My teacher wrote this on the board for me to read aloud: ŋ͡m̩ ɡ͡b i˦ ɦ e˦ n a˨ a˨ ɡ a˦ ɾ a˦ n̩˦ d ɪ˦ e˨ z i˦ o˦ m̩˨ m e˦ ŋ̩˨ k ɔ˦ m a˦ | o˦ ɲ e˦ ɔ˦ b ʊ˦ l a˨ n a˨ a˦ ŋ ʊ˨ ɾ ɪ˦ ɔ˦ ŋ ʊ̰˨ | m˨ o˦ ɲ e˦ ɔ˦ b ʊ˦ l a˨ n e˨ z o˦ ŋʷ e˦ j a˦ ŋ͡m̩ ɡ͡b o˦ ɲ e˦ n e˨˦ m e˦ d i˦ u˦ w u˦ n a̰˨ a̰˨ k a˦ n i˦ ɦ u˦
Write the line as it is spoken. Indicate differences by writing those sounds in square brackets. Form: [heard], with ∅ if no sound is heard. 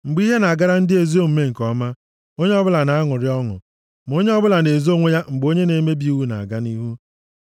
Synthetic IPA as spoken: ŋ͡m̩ ɡ͡b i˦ ɦ e˦ n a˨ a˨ ɡ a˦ ɾ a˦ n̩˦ d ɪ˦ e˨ z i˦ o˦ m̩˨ m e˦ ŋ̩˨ k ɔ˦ m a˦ | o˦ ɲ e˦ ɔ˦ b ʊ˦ l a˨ n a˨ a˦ ŋ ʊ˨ ɾ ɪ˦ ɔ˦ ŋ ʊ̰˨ | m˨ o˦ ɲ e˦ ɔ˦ b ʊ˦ l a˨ n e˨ z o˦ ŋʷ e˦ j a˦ ŋ͡m̩ ɡ͡b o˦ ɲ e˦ n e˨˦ m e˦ [b] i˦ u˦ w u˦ n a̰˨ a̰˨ [ɡ] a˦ n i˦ ɦ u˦